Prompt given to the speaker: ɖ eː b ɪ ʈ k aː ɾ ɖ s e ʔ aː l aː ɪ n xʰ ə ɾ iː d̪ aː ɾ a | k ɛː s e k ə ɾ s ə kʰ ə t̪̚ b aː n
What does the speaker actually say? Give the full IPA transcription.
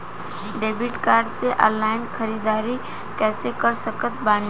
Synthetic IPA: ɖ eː b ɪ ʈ k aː ɾ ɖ s e ʔ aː l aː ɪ n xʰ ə ɾ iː d̪ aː ɾ i | k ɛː s e k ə ɾ s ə k ə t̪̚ b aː n